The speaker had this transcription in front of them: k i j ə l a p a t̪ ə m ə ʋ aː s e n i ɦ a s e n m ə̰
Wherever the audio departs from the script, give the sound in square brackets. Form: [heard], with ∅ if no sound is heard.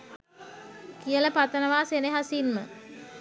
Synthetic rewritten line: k i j ə l [ə] p a t̪ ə [n] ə ʋ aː s e n [e] ɦ a s [i] n m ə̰